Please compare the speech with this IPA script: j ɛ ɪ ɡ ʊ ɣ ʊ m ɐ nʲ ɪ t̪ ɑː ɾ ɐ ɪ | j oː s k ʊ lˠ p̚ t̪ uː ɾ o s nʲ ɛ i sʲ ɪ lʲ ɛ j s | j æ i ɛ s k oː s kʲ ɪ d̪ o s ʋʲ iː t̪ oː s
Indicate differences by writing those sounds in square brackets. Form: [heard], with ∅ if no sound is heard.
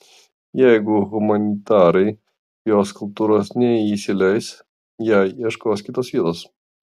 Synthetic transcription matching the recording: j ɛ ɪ ɡ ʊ ɣ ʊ m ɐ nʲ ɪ t̪ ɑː ɾ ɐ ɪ | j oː s k ʊ lˠ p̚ t̪ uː ɾ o s nʲ ɛ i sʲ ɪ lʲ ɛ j s | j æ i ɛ [ʃ] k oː s kʲ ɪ [t̪] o s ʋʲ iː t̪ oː s